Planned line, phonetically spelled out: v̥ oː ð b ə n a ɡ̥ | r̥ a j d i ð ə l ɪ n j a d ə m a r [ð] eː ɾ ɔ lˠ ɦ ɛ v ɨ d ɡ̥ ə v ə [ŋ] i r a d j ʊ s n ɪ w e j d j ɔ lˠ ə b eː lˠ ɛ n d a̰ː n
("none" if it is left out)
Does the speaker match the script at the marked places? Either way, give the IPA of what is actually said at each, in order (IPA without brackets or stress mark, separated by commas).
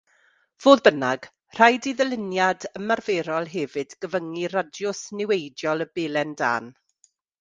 v, ŋ